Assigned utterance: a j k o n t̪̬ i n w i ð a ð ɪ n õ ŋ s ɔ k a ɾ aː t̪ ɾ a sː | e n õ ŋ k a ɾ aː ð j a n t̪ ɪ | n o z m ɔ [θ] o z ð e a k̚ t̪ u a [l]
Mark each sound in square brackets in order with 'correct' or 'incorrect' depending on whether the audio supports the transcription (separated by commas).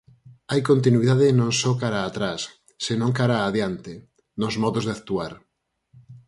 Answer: incorrect, incorrect